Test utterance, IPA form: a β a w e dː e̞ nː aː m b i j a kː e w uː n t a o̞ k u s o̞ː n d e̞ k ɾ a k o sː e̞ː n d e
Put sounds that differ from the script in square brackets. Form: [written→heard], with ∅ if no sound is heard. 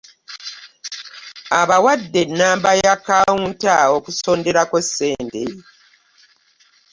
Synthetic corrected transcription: a β a w [e→a] dː e̞ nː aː m b [i→a] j a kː [e→a] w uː n t a o̞ k u s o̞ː n d e̞ [k→∅] ɾ a k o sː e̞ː n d e